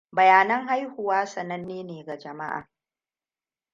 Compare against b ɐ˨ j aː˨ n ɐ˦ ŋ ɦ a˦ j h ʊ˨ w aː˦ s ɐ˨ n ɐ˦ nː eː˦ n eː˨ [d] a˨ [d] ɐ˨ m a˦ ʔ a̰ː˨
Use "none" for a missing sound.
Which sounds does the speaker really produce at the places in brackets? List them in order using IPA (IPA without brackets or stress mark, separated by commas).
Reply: ɡ, d͡ʒ